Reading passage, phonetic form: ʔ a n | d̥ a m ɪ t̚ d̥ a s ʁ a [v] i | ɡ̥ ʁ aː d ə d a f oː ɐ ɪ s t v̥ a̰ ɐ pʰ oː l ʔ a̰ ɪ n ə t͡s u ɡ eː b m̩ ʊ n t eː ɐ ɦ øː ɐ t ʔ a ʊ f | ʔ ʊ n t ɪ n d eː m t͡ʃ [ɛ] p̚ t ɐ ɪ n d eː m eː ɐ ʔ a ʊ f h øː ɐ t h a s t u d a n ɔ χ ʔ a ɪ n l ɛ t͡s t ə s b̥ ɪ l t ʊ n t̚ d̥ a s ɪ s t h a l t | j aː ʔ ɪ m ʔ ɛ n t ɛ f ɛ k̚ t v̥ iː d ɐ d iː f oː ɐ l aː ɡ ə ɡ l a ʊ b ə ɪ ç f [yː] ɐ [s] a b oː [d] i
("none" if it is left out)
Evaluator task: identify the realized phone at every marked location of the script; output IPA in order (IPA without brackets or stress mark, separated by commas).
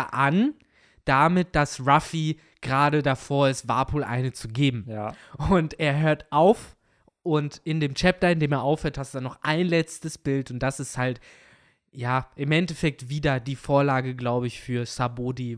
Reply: f, ɛ, yː, s, d